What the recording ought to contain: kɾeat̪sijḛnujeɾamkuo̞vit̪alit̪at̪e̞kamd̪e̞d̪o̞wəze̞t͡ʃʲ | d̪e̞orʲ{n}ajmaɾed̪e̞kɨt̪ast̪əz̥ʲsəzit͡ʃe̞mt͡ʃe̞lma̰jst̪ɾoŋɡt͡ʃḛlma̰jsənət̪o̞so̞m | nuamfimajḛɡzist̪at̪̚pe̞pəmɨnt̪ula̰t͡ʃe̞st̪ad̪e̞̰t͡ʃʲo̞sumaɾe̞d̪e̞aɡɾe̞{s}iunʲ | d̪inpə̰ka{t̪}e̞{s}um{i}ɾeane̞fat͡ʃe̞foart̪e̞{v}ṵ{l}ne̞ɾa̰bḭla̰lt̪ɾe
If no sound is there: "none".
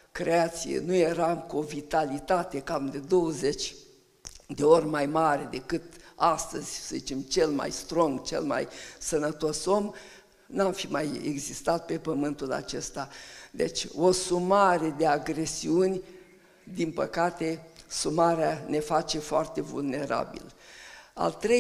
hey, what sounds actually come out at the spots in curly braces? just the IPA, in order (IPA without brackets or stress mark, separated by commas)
m, s, t̪, s, a, v, l